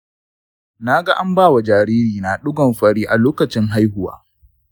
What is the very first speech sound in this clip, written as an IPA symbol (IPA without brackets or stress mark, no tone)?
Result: n